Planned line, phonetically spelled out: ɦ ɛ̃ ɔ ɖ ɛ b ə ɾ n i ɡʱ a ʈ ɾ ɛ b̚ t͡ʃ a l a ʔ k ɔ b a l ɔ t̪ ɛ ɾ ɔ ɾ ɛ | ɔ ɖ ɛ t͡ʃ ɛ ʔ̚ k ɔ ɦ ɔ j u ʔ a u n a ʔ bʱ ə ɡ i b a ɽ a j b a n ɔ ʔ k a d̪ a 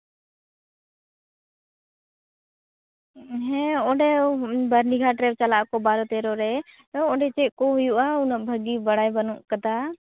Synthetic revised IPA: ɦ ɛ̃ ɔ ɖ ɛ b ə ɾ n i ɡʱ a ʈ ɾ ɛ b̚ t͡ʃ a l a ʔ k ɔ b a ɾ ɔ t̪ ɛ ɾ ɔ ɾ ɛ | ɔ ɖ ɛ t͡ʃ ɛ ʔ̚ k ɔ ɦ u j u ʔ a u n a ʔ bʱ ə ɡ i b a ɽ a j b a n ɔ ʔ k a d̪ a